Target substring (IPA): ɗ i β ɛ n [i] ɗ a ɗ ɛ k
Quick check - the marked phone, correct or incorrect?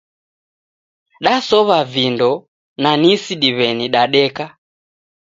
correct